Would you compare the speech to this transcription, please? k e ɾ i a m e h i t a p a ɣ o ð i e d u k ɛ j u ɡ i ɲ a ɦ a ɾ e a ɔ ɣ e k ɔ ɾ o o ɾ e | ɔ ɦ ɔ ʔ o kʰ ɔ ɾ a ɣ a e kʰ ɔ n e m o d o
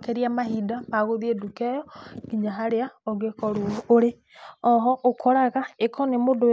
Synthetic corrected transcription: k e ɾ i a m a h i d a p a ɣ o ð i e d u k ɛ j ɔ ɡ i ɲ a ɦ a ɾ e a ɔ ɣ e k ɔ ɾ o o ɾ e | ɔ ɦ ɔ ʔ o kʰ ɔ ɾ a ɣ a e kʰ ɔ n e m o d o